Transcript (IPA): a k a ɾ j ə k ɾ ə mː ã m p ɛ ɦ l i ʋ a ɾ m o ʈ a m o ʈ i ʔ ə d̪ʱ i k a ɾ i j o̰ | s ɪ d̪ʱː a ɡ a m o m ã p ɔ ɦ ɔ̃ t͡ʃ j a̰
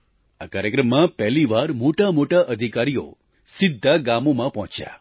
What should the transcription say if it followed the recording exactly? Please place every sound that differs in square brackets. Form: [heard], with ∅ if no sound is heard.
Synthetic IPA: a k a ɾ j ə k ɾ ə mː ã [∅] p ɛ ɦ l i ʋ a ɾ m o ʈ a m o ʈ [a] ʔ ə d̪ʱ i k a ɾ i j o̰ | s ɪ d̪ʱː a ɡ a m o m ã p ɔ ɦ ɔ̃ t͡ʃ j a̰